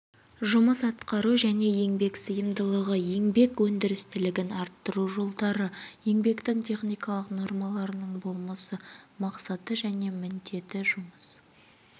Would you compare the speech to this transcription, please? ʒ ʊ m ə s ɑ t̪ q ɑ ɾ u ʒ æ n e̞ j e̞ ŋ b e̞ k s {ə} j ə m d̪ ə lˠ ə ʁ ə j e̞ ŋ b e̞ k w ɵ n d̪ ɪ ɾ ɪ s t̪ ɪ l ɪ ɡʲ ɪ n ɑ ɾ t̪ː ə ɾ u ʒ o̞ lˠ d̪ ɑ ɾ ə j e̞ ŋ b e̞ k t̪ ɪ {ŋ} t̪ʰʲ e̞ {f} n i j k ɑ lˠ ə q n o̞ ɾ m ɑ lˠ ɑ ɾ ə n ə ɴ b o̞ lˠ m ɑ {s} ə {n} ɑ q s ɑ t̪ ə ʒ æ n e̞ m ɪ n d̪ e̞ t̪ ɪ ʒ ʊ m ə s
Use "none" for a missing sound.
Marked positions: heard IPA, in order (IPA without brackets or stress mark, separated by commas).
ə, ŋ, χ, s, m